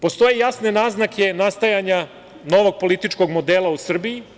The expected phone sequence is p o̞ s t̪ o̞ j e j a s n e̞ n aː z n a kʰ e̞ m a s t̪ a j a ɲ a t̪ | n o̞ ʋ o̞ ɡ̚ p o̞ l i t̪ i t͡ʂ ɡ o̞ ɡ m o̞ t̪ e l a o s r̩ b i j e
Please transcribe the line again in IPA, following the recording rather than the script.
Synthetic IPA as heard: p o̞ s t̪ o̞ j e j a s n e̞ n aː z n a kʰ e̞ n a s t̪ a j a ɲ a | n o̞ ʋ o̞ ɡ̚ p o̞ l i t̪ i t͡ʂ k o̞ ɡ m o̞ d̪ e l a u s r̩ b i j i